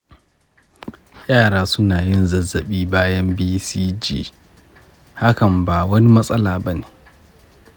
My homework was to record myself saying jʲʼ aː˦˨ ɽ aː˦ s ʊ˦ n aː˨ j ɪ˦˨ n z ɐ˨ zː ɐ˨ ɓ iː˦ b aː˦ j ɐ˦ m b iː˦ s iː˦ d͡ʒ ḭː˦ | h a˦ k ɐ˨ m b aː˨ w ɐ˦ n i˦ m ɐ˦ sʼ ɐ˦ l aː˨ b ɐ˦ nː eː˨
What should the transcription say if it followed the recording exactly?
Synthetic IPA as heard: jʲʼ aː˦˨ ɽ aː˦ s ʊ˦ n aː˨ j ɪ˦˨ n z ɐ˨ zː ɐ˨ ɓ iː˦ b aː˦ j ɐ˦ m b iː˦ s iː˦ d͡ʒ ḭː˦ | h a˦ k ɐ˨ m b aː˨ w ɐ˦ n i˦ m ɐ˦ sʼ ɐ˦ l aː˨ b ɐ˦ n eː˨